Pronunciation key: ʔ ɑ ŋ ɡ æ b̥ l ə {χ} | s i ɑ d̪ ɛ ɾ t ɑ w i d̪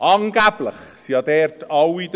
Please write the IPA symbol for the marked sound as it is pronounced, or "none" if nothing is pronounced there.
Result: χ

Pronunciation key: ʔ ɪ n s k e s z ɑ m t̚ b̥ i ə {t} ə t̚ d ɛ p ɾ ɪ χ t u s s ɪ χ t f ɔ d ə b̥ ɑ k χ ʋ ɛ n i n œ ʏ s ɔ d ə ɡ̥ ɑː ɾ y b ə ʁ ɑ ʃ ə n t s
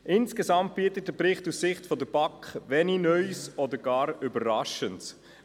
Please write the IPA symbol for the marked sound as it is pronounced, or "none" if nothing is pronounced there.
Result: t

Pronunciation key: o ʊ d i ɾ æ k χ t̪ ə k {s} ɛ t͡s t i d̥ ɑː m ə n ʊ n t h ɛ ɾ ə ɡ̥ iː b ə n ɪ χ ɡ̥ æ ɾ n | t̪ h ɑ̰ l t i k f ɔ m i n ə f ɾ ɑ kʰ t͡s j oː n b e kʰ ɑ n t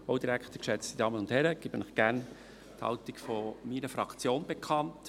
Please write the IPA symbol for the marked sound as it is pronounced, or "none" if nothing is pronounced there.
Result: ʃ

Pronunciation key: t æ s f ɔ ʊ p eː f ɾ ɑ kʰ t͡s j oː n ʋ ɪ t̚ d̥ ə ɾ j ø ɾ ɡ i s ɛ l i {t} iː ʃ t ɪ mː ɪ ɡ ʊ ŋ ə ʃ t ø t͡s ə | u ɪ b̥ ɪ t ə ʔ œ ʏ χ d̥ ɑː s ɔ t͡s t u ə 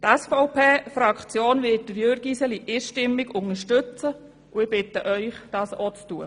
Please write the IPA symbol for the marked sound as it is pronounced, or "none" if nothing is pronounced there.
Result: ʔ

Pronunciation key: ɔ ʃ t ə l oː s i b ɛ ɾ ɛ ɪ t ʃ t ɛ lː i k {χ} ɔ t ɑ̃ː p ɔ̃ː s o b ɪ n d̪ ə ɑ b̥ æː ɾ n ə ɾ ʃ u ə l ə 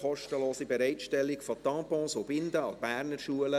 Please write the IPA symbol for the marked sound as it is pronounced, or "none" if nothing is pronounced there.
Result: f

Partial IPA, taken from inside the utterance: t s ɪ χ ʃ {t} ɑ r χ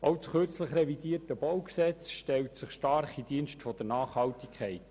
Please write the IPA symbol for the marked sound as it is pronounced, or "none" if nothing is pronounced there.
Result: t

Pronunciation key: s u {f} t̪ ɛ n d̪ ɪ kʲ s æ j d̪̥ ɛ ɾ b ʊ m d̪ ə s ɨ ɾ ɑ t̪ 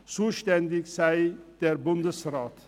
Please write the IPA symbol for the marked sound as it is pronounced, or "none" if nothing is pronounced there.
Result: ʃ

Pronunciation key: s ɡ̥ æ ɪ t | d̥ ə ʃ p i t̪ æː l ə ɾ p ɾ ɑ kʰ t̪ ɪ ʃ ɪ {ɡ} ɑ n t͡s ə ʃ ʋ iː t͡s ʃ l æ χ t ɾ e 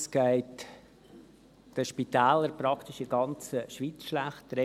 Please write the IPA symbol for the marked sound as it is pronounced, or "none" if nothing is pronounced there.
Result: ɡ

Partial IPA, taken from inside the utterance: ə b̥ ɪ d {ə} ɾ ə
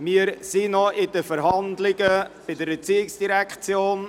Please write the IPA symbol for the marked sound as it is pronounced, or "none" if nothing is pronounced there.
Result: ə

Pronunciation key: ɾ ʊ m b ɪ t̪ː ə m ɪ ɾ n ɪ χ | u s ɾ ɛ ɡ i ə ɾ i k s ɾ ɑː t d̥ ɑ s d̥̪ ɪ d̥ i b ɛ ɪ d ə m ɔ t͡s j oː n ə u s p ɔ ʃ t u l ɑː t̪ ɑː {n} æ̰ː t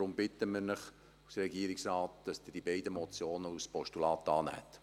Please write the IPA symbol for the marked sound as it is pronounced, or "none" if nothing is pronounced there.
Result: n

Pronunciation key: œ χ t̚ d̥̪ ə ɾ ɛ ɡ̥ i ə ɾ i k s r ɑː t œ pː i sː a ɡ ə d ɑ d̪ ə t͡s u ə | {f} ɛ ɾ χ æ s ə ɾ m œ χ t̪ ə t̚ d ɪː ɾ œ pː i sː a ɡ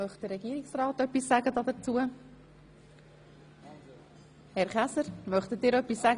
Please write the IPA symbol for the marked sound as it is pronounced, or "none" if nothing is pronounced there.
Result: h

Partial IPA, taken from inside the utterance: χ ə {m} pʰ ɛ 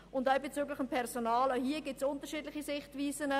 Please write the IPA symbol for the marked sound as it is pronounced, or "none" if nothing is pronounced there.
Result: m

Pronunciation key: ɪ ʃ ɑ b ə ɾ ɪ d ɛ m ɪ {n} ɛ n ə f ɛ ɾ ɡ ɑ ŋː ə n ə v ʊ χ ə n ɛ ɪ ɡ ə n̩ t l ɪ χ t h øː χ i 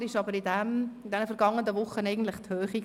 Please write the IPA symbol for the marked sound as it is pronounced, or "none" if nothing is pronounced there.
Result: d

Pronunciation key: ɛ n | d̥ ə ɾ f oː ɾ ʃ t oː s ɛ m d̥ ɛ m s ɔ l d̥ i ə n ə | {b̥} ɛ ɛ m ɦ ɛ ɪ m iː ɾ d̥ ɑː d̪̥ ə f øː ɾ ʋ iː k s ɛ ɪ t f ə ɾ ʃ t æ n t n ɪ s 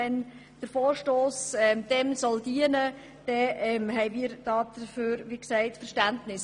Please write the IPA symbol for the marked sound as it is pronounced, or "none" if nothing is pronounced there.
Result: d̥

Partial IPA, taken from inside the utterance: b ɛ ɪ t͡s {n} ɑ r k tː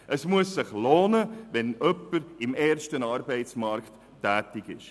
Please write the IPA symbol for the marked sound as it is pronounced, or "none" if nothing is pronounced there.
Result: m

